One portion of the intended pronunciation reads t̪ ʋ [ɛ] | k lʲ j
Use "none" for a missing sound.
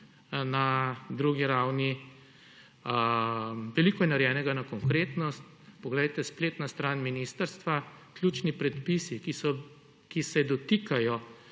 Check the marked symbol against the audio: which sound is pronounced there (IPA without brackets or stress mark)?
a